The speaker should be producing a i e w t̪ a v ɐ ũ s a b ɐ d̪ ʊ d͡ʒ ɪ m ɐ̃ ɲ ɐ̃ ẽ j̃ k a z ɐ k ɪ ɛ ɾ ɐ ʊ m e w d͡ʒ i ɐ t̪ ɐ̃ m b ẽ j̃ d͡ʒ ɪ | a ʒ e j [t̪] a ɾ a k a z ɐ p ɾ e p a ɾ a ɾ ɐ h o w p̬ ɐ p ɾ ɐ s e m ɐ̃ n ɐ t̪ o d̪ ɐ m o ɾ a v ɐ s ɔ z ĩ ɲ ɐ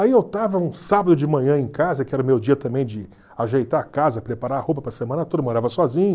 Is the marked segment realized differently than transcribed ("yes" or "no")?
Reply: no